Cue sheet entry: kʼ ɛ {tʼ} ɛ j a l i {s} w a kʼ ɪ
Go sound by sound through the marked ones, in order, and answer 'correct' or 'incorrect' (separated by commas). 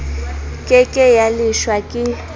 incorrect, incorrect